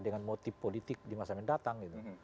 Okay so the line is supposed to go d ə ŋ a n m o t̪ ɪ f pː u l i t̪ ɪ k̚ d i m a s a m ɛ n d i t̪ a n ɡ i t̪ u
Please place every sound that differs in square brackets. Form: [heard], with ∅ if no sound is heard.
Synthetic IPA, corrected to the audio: d ə ŋ a n m o t̪ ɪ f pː [o] l i t̪ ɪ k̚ d i m a s a m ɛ n d [a] t̪ a [ŋ] ɡ i t̪ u

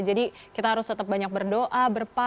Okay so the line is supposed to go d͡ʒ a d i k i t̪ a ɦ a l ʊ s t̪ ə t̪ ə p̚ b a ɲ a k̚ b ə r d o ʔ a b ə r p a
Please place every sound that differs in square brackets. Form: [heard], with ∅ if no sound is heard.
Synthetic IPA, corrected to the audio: d͡ʒ a d i k i t̪ a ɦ a [ɾ] ʊ s t̪ ə t̪ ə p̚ b a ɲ a k̚ b ə r d o ʔ a b ə r p a

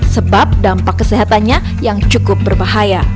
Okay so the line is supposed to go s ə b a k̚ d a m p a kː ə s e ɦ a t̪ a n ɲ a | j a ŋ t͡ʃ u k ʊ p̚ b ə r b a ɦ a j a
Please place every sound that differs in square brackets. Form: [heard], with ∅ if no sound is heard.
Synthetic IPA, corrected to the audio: s ə b a [p̚] d a m p a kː ə s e ɦ a t̪ a n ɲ a | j a ŋ t͡ʃ u k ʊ p̚ b ə r b a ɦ a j a

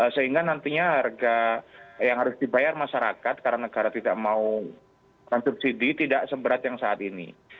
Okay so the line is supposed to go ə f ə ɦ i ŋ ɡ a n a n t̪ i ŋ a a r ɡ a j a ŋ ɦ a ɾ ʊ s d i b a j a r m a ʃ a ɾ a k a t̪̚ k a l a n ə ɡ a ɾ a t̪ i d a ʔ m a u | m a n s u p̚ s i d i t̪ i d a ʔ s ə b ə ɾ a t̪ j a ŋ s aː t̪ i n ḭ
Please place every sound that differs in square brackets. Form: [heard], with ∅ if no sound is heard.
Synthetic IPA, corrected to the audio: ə [s] ə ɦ i ŋ ɡ a n a n t̪ i [ɲ] a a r ɡ a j a ŋ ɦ a ɾ ʊ s d i b a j a r m a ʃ a ɾ a k a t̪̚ k a [ɾ] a n ə ɡ a ɾ a t̪ i d a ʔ m a u | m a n s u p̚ s i d i t̪ i d a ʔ s ə b ə ɾ a t̪ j a ŋ s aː t̪ i n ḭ

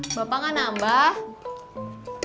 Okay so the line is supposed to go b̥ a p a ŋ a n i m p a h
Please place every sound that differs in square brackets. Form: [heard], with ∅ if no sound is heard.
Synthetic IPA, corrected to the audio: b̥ a p a ŋ a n [a] m [b] a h

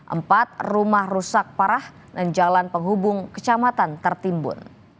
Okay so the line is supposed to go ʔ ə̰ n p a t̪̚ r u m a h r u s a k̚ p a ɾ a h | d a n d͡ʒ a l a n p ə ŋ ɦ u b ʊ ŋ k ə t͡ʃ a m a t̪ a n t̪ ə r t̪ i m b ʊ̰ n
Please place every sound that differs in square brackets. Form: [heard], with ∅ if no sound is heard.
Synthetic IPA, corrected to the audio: ʔ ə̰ [m] p a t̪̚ r u m a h r u s a k̚ p a ɾ a h | d a n d͡ʒ a l a n p ə ŋ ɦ u b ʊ ŋ k ə t͡ʃ a m a t̪ a n t̪ ə r t̪ i m b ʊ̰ n

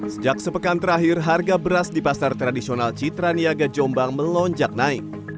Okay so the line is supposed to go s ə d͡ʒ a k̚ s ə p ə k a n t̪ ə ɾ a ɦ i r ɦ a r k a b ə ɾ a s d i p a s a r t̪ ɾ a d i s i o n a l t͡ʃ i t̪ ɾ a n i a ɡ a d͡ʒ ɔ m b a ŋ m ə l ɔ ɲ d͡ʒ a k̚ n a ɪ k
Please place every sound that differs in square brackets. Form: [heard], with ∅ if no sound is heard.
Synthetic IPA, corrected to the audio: s ə d͡ʒ a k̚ s ə p ə k a n t̪ ə ɾ a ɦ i r ɦ a r [ɡ] a b ə ɾ a s d i p a s a r t̪ ɾ a d i s i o n a l t͡ʃ i t̪ ɾ a n i a ɡ a d͡ʒ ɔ m b a ŋ m ə l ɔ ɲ d͡ʒ a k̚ n a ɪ k

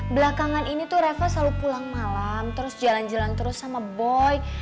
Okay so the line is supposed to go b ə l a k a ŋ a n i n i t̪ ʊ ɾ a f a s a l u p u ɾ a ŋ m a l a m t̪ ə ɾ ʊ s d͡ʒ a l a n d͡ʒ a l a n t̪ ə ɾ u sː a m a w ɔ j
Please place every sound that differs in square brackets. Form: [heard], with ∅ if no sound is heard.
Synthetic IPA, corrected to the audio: b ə l a k a ŋ a n i n i t̪ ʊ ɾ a f a s a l u p u [l] a ŋ m a l a m t̪ ə ɾ ʊ s d͡ʒ a l a n d͡ʒ a l a n t̪ ə ɾ [ʊ] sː a m a [b] ɔ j

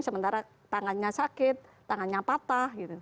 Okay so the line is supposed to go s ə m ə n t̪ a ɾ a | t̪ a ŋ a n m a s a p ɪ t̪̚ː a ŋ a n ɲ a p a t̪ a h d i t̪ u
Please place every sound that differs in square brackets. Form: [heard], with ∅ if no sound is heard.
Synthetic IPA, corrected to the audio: s ə m ə n t̪ a ɾ a | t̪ a ŋ a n [ɲ] a s a [k] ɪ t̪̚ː a ŋ a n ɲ a p a t̪ a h [ɡ] i t̪ u

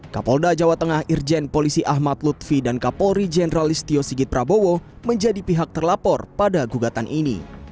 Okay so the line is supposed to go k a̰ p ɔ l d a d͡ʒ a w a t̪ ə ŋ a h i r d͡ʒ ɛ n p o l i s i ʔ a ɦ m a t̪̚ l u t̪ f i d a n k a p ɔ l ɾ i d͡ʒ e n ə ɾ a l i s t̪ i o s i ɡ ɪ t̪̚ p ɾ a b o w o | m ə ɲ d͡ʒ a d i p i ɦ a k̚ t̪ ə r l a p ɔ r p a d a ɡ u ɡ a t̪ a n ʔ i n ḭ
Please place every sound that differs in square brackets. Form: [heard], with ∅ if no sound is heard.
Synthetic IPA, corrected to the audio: k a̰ p ɔ l d a d͡ʒ a w a t̪ ə ŋ a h i r d͡ʒ ɛ n p o l i s i ʔ a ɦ m a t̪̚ l u t̪ f i d a n k a p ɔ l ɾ i d͡ʒ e n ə ɾ a l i s t̪ i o s i ɡ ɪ t̪̚ p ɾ a b o w o | m ə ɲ d͡ʒ a d i p i ɦ a k̚ t̪ ə r l a p ɔ r p a d a ɡ u ɡ a t̪ a n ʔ i n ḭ

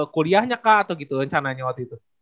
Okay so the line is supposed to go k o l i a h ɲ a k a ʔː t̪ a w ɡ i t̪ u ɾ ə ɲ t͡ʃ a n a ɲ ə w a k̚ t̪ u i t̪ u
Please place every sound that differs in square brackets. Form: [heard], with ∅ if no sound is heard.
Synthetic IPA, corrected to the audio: k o l i a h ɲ a k a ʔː t̪ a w ɡ i t̪ u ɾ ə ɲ t͡ʃ a n a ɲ [a] w a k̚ t̪ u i t̪ u

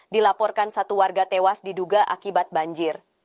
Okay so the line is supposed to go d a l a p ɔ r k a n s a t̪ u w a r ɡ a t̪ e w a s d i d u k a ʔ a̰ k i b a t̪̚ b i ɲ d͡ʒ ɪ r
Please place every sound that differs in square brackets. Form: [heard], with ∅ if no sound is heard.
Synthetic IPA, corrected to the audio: d [i] l a p ɔ r k a n s a t̪ u w a r ɡ a t̪ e w a s d i d u [ɡ] a ʔ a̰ k i b a t̪̚ b [a] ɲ d͡ʒ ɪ r

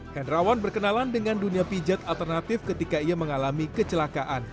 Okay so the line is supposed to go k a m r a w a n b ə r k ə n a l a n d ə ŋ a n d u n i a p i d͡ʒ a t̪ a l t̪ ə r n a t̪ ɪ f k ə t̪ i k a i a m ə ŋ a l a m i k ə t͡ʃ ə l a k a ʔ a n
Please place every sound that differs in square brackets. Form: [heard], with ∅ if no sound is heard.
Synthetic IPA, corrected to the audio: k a [n] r a w a n b ə r k ə n a l a n d ə ŋ a n d u n i a p i d͡ʒ a t̪ a l t̪ ə r n a t̪ ɪ f k ə t̪ i k a i a m ə ŋ a l a m i k ə t͡ʃ ə l a k a ʔ a n

